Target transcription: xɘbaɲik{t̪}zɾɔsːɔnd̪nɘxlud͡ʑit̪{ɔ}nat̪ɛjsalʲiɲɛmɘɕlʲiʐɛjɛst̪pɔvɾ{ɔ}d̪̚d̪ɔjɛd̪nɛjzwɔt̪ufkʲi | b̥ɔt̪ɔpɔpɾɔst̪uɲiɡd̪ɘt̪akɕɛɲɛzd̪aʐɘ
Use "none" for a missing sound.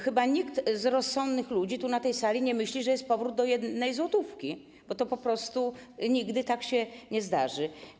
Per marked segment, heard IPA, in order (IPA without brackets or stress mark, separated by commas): t̪, u, u